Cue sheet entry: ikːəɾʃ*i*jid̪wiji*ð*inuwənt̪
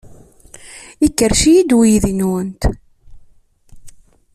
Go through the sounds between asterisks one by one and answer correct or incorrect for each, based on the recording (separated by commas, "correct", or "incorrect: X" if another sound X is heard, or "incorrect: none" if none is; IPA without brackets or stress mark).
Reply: correct, correct